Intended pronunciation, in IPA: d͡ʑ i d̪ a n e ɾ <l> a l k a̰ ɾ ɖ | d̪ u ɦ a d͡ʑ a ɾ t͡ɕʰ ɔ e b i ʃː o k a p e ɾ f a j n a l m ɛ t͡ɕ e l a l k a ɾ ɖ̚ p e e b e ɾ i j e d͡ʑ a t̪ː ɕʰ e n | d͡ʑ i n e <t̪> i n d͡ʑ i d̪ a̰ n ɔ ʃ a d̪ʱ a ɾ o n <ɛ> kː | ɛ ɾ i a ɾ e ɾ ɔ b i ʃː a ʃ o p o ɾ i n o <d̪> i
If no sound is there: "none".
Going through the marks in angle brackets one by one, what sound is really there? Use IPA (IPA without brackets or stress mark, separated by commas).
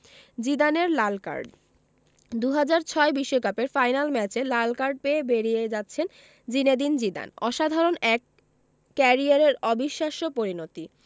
l, d̪, ɛ, t̪